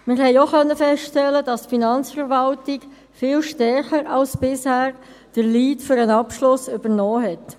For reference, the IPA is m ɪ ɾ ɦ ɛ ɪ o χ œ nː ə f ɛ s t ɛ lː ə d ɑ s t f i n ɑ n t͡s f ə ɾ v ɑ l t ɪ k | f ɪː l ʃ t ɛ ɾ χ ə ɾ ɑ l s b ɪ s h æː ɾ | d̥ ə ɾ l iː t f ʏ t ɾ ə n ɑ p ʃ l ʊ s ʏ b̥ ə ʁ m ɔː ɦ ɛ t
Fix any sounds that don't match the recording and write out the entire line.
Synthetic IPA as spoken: m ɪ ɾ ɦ ɛ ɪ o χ œ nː ə f ɛ s t ɛ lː ə d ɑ s t f i n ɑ n t͡s f ə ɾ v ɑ l t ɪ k | f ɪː l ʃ t ɛ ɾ χ ə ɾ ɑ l s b ɪ s h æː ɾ | d̥ ə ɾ l iː t f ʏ ɾ ə n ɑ p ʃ l ʊ s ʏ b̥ ə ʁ n ɔː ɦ ɛ t